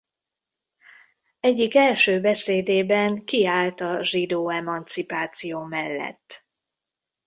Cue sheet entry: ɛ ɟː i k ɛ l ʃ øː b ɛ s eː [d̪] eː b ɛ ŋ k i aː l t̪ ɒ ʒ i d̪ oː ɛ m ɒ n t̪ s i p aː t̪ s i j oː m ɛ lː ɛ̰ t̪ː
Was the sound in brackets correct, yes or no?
yes